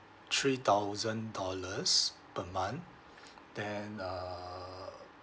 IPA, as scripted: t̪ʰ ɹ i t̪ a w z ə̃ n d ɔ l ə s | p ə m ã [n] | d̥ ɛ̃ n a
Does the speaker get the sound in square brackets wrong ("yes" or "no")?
no